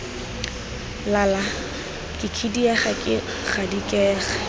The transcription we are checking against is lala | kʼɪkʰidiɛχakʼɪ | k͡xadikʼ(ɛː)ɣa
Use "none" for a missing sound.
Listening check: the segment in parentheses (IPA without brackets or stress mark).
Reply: ɛː